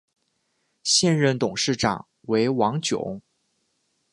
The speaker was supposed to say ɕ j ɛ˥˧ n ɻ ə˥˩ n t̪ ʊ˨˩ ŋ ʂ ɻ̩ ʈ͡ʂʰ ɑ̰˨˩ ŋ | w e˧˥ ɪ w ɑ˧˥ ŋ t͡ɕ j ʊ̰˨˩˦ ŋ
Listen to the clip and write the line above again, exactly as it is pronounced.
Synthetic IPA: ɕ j ɛ˥˧ n ɻ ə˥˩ n t̪ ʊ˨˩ ŋ ʂ ɻ̩ ʈ͡ʂ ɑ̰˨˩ ŋ | w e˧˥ ɪ w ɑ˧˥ ŋ t͡ɕ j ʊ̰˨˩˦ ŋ